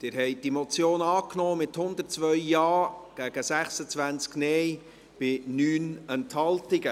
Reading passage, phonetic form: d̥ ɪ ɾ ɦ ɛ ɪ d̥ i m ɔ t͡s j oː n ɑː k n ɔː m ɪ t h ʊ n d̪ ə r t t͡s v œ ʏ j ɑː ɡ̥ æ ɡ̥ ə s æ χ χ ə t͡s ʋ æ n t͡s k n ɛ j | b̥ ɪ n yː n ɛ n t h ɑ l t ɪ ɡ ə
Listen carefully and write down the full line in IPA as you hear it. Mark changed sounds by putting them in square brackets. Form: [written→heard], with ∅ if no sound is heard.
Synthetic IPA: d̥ ɪ ɾ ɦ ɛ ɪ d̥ i m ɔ t͡s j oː n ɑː k n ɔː m ɪ t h ʊ n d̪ ə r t t͡s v œ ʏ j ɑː ɡ̥ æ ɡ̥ ə s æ χ [χ→s] ə t͡s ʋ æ n t͡s k n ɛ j | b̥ ɪ n yː n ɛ n t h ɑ l t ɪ ɡ ə

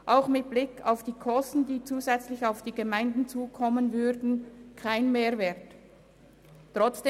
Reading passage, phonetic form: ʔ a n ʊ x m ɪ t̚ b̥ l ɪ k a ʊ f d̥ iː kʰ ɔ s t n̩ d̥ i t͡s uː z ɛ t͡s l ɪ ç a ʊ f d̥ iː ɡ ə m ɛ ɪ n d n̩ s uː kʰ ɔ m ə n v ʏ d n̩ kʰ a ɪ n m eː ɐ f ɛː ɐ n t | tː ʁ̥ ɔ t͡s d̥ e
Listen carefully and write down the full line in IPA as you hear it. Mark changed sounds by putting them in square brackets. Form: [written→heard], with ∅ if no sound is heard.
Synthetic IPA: ʔ a [n→∅] ʊ x m ɪ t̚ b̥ l ɪ k a ʊ f d̥ iː kʰ ɔ s t n̩ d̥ [i→iː] t͡s uː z ɛ t͡s l ɪ ç a ʊ f d̥ iː ɡ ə m [ɛ→a] ɪ n d n̩ [s→t͡s] uː kʰ ɔ m ə n v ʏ d n̩ kʰ a ɪ n m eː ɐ [f→v] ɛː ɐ [n→∅] t | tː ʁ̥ ɔ t͡s d̥ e

